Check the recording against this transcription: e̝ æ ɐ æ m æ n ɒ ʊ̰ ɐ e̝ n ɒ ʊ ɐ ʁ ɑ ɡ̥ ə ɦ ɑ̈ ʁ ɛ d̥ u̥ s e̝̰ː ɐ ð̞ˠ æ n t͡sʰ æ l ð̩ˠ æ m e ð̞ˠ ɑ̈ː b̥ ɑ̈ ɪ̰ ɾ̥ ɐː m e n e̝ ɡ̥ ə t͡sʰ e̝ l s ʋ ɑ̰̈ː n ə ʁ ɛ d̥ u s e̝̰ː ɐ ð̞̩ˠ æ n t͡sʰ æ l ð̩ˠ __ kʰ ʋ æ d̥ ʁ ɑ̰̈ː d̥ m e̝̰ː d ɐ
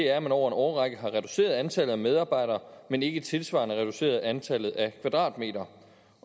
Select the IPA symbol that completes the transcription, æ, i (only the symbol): æ